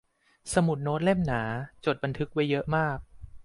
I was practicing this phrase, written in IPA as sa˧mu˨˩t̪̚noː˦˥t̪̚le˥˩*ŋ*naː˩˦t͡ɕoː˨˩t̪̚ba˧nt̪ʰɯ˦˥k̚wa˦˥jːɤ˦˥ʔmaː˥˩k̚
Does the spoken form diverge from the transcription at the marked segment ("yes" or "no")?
yes